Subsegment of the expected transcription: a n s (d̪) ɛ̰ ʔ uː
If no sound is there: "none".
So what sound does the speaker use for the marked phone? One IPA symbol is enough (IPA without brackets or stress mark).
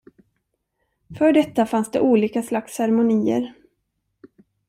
d̪